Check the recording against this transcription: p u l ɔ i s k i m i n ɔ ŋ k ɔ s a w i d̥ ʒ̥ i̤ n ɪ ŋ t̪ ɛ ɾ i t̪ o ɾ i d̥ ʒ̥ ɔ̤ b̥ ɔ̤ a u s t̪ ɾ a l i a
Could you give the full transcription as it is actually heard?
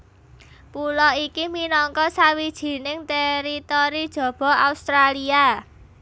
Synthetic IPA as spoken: p u l ɔ i k i m i n ɔ ŋ k ɔ s a w i d̥ ʒ̥ i̤ n ɪ ŋ t̪ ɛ ɾ i t̪ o ɾ i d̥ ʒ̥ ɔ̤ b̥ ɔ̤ a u s t̪ ɾ a l i a

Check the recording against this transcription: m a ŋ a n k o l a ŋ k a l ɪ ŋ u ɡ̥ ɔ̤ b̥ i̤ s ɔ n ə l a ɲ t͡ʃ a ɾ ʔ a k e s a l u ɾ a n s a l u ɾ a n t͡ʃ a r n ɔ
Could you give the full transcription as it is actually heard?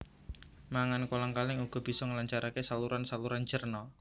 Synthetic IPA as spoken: m a ŋ a n k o l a ŋ k a l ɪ ŋ u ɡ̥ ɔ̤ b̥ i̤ s ɔ ŋ ə l a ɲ t͡ʃ a ɾ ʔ a k e s a l u ɾ a n s a l u ɾ a n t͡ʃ ə r n ɔ

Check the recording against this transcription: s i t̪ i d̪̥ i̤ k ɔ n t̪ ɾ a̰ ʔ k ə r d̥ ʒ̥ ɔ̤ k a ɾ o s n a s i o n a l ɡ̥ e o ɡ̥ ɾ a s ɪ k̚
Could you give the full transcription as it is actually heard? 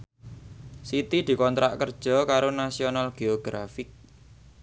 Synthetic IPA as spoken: s i t̪ i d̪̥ i̤ k ɔ n t̪ ɾ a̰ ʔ k ə r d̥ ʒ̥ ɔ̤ k a ɾ o n a s i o n a l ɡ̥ e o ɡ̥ ɾ a f ɪ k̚

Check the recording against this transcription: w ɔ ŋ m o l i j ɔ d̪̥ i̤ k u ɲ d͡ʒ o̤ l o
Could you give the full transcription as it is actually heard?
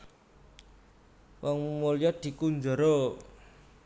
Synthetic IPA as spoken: w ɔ ŋ m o l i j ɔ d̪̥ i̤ k u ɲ d͡ʒ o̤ ɾ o

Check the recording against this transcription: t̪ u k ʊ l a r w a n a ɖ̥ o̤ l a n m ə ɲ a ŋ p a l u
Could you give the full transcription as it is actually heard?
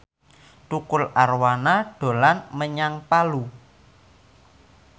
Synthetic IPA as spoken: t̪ u k ʊ l a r w a n a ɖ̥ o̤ l a n m ə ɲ a ŋ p a l u

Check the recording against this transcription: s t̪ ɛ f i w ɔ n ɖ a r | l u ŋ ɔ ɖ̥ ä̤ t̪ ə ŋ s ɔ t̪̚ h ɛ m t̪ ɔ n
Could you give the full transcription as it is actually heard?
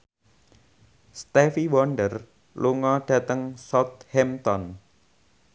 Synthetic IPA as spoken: s t̪ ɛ f i w ɔ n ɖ ə r | l u ŋ ɔ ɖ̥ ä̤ t̪ ə ŋ s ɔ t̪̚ h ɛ m t̪ ɔ n

